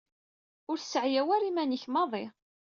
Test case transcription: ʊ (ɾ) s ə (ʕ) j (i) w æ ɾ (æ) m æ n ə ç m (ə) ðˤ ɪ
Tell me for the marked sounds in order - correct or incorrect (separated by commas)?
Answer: correct, correct, incorrect, incorrect, incorrect